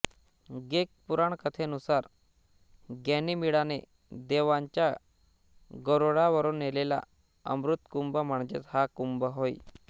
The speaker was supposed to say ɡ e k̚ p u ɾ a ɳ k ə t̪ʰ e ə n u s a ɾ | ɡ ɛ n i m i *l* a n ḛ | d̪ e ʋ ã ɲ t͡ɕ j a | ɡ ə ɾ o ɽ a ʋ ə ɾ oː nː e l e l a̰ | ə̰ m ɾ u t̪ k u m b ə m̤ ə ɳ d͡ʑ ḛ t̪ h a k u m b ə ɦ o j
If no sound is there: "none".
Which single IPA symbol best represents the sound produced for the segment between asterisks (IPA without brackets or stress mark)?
ɽ